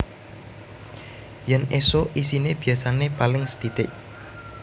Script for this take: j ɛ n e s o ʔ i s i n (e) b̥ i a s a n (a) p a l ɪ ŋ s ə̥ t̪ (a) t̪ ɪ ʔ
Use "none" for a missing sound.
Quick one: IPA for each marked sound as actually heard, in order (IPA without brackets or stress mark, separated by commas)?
e, e, i